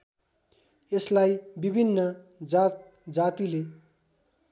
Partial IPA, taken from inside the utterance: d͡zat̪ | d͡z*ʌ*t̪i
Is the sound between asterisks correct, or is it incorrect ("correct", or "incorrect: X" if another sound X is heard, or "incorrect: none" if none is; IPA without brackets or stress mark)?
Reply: incorrect: a